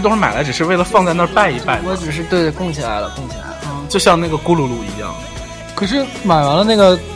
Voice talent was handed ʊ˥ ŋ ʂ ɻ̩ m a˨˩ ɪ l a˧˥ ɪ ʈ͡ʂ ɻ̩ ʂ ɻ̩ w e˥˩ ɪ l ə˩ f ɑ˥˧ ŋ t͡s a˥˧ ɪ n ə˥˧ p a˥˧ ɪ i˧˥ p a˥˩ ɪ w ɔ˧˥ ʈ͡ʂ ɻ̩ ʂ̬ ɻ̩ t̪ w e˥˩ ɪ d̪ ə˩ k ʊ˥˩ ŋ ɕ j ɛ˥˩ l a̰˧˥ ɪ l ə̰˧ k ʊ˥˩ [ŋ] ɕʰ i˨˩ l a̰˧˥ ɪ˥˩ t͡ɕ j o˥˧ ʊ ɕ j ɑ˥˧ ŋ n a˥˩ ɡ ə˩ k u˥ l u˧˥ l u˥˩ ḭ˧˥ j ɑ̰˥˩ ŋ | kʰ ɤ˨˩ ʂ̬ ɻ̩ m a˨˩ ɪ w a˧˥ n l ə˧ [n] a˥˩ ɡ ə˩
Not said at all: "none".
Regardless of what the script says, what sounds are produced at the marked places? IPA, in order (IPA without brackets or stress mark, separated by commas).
ŋ, n